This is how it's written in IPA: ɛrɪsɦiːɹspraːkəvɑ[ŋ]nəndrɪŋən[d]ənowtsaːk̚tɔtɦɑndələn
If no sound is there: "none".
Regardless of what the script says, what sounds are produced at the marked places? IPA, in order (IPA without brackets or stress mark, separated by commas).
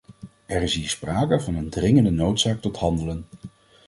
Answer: none, d